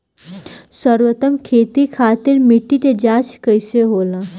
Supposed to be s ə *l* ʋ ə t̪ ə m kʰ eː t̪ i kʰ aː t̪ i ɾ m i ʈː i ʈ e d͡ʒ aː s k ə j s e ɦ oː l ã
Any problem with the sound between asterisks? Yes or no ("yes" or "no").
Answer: yes